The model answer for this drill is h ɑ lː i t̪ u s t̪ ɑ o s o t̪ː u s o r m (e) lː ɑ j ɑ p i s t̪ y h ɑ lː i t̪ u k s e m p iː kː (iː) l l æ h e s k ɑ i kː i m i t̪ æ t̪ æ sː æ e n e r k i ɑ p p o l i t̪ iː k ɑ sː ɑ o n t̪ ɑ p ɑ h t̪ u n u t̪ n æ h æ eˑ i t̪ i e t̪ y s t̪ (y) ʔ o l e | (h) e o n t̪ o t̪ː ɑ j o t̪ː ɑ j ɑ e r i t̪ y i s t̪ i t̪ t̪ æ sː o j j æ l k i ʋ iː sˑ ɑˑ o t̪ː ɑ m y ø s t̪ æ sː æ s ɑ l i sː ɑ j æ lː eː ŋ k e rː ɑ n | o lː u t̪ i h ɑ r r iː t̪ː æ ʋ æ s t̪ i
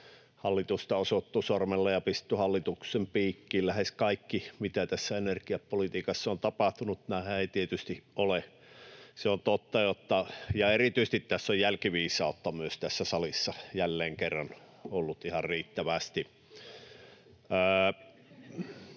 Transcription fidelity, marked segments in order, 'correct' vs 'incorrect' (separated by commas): correct, correct, incorrect, incorrect